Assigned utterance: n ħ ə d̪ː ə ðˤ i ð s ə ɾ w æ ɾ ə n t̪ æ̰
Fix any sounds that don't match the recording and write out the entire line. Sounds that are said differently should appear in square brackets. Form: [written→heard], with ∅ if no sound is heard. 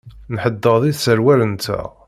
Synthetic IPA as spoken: n ħ ə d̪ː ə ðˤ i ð s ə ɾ w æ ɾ ə n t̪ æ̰